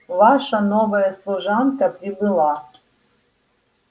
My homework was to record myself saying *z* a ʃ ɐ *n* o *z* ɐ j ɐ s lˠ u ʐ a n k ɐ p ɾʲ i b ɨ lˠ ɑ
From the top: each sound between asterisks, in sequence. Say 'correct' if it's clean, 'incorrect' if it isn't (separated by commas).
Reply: incorrect, correct, incorrect